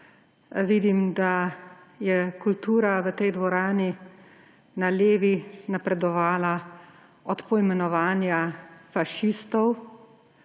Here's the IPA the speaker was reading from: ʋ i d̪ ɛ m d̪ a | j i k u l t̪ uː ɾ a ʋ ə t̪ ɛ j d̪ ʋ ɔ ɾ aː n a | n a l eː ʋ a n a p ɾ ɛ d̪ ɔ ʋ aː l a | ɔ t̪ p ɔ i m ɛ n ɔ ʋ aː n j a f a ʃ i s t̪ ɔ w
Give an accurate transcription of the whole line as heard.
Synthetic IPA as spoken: ʋ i d̪ i m d̪ a | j ɛ k u l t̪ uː ɾ a ʋ ə t̪ ɛ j d̪ ʋ ɔ ɾ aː n i | n a l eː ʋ i n a p ɾ ɛ d̪ ɔ ʋ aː l a | ɔ t̪ p ɔ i m ɛ n ɔ ʋ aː n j a f a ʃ i s t̪ ɔ w